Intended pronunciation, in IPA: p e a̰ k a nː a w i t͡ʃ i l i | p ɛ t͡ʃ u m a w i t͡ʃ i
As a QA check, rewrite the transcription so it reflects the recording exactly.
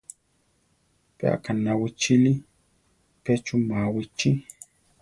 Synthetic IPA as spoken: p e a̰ k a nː a w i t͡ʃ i l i | p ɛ t͡ʃ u m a w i t͡ʃ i